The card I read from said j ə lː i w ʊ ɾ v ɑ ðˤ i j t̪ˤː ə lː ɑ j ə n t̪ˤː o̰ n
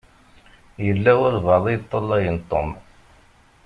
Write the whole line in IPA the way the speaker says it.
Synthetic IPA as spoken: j ə lː æ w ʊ ɾ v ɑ ðˤ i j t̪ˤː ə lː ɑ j ə n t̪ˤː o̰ m